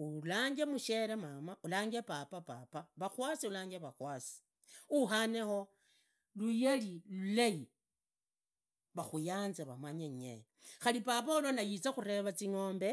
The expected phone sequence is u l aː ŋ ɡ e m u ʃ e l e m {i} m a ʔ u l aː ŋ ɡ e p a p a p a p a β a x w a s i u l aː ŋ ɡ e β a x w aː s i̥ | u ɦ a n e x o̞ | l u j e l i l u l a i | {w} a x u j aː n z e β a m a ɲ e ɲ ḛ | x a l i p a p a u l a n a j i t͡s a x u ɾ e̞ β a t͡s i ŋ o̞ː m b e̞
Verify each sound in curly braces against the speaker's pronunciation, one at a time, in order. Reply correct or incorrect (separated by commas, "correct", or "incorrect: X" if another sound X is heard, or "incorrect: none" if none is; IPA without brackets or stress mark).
incorrect: a, incorrect: β